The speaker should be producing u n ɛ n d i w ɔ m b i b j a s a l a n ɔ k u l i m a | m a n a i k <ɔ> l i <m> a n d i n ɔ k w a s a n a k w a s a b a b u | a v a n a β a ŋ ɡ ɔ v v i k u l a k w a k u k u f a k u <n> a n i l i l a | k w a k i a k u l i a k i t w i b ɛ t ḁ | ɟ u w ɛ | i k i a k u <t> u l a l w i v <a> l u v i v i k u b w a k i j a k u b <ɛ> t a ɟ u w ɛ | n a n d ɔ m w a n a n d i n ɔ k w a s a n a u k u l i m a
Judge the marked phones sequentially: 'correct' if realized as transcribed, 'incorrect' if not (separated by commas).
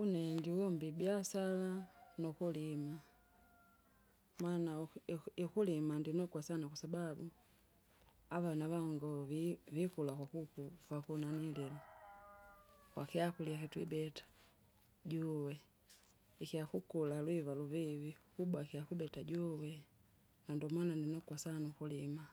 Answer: incorrect, correct, correct, incorrect, correct, correct